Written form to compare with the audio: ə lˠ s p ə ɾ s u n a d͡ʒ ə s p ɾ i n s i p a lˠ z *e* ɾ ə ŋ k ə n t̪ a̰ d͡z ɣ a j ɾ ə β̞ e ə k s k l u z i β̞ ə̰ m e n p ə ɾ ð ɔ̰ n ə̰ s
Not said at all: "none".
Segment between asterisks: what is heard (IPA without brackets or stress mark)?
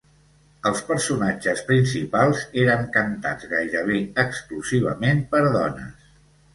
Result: e